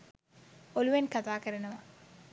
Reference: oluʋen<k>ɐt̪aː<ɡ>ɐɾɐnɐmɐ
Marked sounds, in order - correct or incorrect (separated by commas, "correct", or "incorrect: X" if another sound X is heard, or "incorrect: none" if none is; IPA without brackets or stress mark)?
correct, incorrect: k